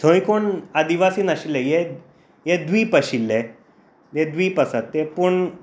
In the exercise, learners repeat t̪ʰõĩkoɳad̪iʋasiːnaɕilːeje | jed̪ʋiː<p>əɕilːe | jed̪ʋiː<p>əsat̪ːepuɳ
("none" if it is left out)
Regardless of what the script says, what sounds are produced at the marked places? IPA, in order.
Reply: p, p

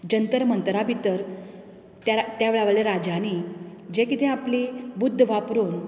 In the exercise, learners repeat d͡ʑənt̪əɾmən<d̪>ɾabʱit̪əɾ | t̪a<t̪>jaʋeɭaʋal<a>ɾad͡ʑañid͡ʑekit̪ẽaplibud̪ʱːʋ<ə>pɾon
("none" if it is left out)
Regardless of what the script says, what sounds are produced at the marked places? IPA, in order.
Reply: t̪, t̪, e, a

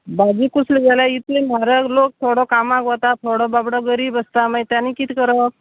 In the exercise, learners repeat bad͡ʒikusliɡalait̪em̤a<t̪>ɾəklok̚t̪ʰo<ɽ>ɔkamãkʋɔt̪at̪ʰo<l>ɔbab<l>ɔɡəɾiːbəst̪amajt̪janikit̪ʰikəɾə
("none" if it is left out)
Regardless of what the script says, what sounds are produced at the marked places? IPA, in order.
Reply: none, ɽ, ɽ, ɽ

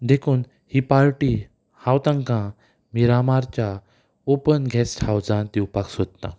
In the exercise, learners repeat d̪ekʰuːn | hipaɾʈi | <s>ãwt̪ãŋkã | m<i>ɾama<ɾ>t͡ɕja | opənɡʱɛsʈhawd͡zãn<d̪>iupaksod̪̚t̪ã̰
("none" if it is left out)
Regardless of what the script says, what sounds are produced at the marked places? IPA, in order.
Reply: h, i, ɾ, t̪

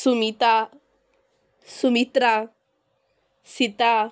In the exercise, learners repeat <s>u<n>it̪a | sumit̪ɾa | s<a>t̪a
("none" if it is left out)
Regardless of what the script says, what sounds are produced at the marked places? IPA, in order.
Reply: s, m, i

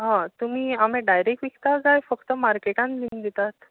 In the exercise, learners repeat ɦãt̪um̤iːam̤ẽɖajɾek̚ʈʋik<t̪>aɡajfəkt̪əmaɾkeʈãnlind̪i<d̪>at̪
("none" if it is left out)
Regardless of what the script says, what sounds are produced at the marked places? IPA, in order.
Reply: t̪, t̪

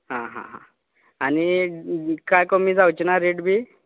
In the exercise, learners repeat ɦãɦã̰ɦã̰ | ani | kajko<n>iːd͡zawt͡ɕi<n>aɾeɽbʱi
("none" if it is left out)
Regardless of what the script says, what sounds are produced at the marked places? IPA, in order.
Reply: m, n

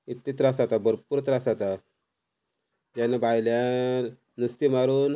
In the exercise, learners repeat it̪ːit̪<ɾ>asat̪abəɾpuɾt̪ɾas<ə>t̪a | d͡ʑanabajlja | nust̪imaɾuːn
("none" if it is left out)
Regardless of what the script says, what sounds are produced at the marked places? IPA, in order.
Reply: ɾ, a

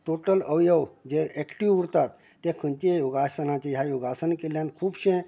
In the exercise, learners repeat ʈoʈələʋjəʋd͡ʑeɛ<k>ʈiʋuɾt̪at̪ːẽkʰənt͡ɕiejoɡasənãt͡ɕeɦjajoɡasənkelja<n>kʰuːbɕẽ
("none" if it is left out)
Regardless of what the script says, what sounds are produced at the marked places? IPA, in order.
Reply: k, n

